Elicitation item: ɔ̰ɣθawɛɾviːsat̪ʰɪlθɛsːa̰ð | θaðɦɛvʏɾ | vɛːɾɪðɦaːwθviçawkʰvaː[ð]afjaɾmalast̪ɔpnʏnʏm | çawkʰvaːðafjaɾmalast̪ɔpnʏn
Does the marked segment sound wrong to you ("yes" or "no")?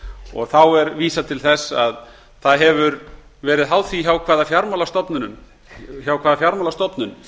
no